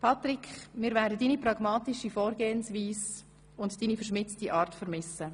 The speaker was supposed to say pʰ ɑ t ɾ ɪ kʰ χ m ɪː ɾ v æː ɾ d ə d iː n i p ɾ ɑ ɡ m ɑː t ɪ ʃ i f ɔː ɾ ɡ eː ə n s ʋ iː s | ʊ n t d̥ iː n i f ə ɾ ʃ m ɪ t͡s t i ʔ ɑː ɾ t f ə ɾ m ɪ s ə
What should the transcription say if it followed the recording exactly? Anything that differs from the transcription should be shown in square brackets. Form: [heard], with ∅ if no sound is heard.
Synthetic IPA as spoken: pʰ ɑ t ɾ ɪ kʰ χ m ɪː ɾ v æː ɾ d ə d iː n i p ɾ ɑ ɡ m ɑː t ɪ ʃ i f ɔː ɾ ɡ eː ə n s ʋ iː s | ʊ n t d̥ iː n i f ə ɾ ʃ m ɪ t͡s t i ʔ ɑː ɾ t f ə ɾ m ɪ s ə

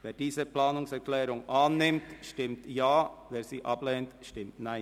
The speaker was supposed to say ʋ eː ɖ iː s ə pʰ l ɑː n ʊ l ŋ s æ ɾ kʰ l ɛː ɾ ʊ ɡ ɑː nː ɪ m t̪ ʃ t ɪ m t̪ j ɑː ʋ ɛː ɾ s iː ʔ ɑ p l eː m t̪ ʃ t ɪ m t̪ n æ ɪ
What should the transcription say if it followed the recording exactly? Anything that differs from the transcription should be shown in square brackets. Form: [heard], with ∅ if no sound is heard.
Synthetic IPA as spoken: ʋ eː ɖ iː s ə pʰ l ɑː n ʊ [∅] ŋ s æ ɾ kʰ l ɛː ɾ ʊ [ŋ] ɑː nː ɪ m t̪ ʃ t ɪ m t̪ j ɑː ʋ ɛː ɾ s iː ʔ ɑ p l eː [n] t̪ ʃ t ɪ m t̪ n æ ɪ

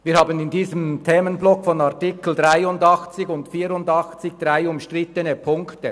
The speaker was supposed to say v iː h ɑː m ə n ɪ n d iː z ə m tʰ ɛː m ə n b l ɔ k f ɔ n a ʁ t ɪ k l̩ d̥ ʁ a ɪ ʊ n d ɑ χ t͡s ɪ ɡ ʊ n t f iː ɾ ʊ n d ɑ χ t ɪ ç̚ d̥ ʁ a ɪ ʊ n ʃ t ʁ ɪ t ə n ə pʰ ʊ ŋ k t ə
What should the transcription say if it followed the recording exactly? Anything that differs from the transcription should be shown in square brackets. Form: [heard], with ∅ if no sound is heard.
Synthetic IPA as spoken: v iː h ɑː [b] ə n ɪ n d iː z ə m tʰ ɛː m ə n b l ɔ k f ɔ n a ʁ t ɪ k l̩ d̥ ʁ a ɪ ʊ n d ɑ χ t͡s ɪ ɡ ʊ n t f iː ɾ ʊ n d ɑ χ [t͡s] ɪ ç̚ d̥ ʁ a ɪ ʊ [m] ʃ t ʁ ɪ t ə n ə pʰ ʊ ŋ k t ə

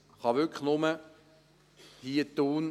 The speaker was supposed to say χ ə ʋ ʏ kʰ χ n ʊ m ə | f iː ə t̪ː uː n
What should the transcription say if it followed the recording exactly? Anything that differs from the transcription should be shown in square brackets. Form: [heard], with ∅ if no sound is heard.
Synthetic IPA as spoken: χ [ɑ] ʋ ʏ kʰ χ n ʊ m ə | [h] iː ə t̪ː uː n

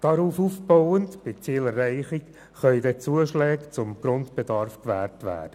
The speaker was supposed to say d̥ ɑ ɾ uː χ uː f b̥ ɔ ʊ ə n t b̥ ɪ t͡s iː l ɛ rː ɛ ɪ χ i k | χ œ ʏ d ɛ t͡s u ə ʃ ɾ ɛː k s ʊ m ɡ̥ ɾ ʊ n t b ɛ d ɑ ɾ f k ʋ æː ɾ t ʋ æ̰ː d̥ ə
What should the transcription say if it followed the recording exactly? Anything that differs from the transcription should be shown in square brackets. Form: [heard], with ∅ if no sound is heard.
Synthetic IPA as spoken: d̥ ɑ ɾ uː [f] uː f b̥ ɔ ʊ ə n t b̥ ɪ t͡s iː l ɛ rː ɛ ɪ χ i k | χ œ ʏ d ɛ t͡s u ə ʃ [l] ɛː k [t͡s] ʊ m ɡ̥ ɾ ʊ n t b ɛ d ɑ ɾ f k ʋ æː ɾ t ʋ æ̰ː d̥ ə

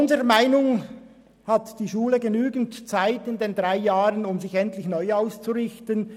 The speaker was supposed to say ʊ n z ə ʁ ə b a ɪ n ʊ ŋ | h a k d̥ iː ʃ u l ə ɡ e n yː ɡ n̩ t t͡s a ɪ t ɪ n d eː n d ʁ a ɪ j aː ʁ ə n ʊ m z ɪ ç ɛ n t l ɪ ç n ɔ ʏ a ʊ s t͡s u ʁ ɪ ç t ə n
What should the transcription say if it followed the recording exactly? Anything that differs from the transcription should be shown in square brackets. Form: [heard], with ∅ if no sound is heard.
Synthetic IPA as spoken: ʊ n z ə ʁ ə [m] a ɪ n ʊ ŋ | h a [t] d̥ iː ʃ [uː] l ə ɡ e n yː ɡ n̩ t t͡s a ɪ t ɪ n d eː n d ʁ a ɪ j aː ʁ ə n ʊ m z ɪ ç ɛ n t l ɪ ç n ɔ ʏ a ʊ s t͡s u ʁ ɪ ç t ə n

